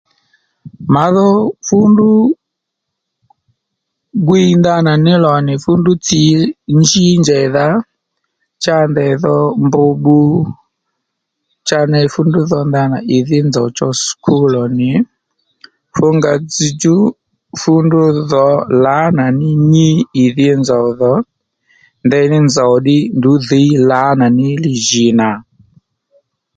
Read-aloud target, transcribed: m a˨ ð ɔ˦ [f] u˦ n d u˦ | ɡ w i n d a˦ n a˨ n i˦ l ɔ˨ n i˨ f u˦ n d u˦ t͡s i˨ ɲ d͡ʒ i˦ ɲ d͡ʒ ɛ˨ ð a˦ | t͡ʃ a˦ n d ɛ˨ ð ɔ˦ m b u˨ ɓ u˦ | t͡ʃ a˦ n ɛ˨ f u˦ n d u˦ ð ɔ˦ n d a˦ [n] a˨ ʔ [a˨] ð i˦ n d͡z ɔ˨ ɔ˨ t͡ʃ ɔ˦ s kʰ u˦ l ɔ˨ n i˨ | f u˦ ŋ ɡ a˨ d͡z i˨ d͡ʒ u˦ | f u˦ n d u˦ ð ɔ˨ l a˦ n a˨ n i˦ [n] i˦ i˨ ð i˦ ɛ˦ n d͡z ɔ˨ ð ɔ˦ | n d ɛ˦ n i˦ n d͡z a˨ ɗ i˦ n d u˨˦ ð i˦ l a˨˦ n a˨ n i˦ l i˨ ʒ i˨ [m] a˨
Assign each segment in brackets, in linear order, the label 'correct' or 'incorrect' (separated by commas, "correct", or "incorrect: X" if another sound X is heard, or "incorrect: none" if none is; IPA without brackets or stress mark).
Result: correct, correct, incorrect: i˨, incorrect: ɲ, incorrect: n